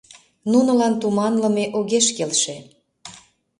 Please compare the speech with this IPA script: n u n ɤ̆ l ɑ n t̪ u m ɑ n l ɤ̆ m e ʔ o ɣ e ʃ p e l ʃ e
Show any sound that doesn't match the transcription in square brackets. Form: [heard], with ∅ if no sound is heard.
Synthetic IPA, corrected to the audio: n u n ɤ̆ l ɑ n t̪ u m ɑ n l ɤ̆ m e ʔ o ɣ e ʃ [k] e l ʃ e